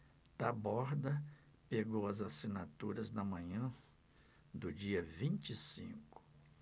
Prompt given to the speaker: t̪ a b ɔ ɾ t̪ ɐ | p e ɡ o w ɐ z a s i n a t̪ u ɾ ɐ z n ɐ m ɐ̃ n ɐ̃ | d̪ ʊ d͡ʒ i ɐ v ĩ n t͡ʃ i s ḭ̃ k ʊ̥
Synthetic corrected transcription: t̪ a b ɔ ɾ d̪ ɐ | p e ɡ o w ɐ z a s i n a t̪ u ɾ ɐ z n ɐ m ɐ̃ ɲ ɐ̃ | d̪ ʊ d͡ʒ i ɐ v ĩ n t͡ʃ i s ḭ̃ k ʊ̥

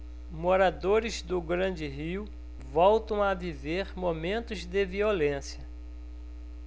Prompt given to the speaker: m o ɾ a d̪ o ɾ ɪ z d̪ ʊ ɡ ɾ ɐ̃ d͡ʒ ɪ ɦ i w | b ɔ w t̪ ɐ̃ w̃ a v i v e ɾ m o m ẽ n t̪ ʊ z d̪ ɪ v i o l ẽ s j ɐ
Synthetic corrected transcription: m o ɾ a d̪ o ɾ ɪ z d̪ ʊ ɡ ɾ ɐ̃ d͡ʒ ɪ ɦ i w | v ɔ w t̪ ɐ̃ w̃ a v i v e ɾ m o m ẽ n t̪ ʊ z d̪ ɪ v i o l ẽ s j ɐ

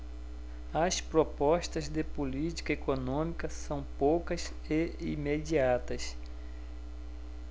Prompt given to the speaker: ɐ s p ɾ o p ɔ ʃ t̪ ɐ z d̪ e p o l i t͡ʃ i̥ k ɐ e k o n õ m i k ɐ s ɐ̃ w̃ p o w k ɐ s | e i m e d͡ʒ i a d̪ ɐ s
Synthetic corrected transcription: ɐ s p ɾ o p ɔ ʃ t̪ ɐ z d̪ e p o l i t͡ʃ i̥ k ɐ e k o n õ m i k ɐ s ɐ̃ w̃ p o w k ɐ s | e i m e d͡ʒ i a t̪ ɐ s

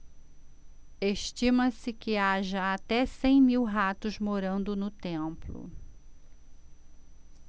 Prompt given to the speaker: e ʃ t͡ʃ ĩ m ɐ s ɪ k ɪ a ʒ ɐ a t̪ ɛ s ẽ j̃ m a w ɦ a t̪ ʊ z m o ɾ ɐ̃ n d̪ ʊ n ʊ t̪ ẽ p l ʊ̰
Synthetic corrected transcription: e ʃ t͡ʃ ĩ m ɐ s ɪ k ɪ a ʒ ɐ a t̪ ɛ s ẽ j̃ m i w ɦ a t̪ ʊ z m o ɾ ɐ̃ n d̪ ʊ n ʊ t̪ ẽ p l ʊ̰

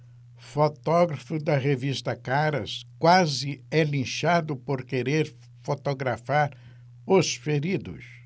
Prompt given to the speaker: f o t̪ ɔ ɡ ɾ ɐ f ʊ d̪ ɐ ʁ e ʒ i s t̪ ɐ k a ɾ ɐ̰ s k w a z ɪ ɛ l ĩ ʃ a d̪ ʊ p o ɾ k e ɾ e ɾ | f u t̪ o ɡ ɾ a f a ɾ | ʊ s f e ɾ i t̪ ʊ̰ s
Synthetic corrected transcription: f o t̪ ɔ ɡ ɾ ɐ f ʊ d̪ ɐ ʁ e v i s t̪ ɐ k a ɾ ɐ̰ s k w a z ɪ ɛ l ĩ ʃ a d̪ ʊ p o ɾ k e ɾ e ɾ | f o t̪ o ɡ ɾ a f a ɾ | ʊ s f e ɾ i d̪ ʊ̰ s

